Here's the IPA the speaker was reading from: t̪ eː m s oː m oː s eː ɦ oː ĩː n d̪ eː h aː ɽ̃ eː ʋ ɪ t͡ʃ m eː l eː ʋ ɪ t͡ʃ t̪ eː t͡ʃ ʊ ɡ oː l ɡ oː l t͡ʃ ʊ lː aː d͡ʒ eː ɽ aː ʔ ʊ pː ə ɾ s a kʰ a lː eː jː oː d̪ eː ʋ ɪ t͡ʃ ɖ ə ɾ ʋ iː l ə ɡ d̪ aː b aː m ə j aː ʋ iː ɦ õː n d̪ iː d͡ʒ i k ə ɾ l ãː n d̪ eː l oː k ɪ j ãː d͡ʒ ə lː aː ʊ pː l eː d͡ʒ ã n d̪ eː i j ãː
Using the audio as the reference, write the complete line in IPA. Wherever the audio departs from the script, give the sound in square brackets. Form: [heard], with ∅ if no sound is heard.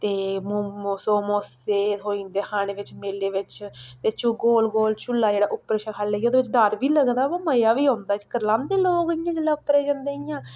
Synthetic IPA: t̪ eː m s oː m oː s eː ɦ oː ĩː n d̪ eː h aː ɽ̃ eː ʋ ɪ t͡ʃ m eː l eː ʋ ɪ t͡ʃ t̪ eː t͡ʃ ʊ ɡ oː l ɡ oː l t͡ʃ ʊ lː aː d͡ʒ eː ɽ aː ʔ ʊ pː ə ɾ [ʃ] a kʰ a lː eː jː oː d̪ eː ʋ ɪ t͡ʃ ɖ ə ɾ ʋ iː l ə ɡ d̪ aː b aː m ə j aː ʋ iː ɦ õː n d̪ [aː] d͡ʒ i k ə ɾ l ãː n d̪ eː l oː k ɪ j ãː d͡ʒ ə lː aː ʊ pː [ɾ] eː d͡ʒ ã n d̪ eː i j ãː

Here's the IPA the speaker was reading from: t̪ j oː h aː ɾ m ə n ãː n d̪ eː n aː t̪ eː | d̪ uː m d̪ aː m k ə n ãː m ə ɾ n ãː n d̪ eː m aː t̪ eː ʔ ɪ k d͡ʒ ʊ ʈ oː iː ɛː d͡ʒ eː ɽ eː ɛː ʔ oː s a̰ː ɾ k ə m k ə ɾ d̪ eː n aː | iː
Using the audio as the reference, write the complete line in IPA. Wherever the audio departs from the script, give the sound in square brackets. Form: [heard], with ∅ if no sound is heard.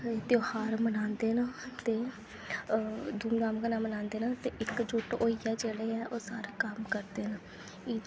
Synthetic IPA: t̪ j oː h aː ɾ m ə n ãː n d̪ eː n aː t̪ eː | d̪ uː m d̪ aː m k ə n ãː m ə [∅] n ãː n d̪ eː [n] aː t̪ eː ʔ ɪ k d͡ʒ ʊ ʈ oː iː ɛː d͡ʒ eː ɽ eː ɛː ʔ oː s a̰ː ɾ k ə m k ə ɾ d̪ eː n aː | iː

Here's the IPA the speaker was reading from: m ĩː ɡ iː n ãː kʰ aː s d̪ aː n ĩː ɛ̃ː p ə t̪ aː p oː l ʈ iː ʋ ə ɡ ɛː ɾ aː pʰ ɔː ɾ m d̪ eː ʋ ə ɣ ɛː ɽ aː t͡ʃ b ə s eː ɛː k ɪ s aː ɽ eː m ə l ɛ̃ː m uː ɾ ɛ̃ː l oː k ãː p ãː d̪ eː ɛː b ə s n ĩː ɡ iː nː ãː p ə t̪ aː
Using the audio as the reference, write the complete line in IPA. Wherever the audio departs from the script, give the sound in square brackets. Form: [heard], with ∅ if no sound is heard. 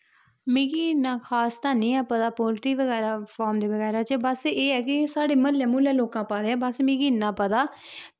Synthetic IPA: m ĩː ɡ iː n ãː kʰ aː s [t̪] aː n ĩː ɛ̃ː p ə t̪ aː p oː l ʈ iː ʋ ə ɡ ɛː ɾ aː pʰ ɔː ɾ m d̪ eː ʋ ə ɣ ɛː [ɾ] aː t͡ʃ b ə s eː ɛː k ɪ s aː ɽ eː m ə l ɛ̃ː m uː [l] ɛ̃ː l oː k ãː p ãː d̪ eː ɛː b ə s [m] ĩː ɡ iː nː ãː p ə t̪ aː

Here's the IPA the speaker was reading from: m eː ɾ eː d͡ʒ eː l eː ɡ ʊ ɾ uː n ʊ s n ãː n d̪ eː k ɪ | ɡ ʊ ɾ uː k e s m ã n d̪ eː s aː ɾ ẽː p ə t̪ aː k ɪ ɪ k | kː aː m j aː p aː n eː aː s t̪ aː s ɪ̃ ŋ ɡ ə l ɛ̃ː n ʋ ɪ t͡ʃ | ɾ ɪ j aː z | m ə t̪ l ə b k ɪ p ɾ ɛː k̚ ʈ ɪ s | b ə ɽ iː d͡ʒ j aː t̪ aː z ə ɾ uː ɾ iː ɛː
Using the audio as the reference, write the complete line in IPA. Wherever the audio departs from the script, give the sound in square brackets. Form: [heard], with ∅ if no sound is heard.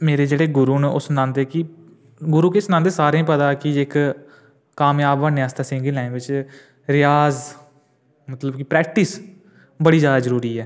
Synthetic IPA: m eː ɾ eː d͡ʒ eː [ɽ] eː ɡ ʊ ɾ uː n ʊ s n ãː n d̪ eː k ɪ | ɡ ʊ ɾ uː k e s [n] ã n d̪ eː s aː ɾ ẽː p ə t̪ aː k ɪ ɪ k | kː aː m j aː [b] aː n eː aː s t̪ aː s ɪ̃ ŋ ɡ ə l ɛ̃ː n ʋ ɪ t͡ʃ | ɾ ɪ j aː z | m ə t̪ l ə b k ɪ p ɾ ɛː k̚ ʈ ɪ s | b ə ɽ iː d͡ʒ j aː [d̪] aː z ə ɾ uː ɾ iː ɛː

